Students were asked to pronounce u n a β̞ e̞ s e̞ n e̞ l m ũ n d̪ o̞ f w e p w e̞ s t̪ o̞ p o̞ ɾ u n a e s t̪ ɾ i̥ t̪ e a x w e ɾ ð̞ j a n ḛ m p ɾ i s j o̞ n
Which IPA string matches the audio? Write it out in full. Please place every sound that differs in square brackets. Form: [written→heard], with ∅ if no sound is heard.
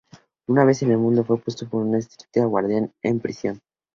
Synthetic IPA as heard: u n a β̞ e̞ s e̞ n e̞ l m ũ n d̪ o̞ f w e p w e̞ s t̪ o̞ p o̞ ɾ u n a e s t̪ ɾ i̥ t̪ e a [x→ɣ] w [e→a] ɾ ð̞ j a n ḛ m p ɾ i s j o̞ n